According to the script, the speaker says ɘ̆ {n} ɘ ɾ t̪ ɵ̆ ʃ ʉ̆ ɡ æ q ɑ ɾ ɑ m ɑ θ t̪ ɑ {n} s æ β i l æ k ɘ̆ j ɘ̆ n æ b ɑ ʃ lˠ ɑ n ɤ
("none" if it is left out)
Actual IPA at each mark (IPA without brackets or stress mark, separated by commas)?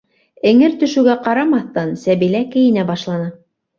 ŋ, n